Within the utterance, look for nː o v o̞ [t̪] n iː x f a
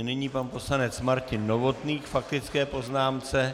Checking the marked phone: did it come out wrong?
no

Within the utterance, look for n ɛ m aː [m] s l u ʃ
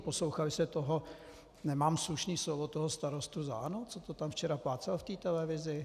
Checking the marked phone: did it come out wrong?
no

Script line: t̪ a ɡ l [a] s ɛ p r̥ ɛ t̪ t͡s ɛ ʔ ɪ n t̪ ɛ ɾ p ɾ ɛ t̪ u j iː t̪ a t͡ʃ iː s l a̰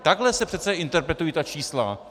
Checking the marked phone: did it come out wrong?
yes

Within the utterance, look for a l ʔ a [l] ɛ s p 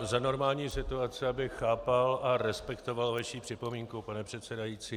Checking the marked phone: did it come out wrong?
yes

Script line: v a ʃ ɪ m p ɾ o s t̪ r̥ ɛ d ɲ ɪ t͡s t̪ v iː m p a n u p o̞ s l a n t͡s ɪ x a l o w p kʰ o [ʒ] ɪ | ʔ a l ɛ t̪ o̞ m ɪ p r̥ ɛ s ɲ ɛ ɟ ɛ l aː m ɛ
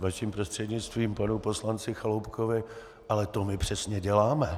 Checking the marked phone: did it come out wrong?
yes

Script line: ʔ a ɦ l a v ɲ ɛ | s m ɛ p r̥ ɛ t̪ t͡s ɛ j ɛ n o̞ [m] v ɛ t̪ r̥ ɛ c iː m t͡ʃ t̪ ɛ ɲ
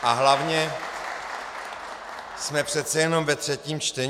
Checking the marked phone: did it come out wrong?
no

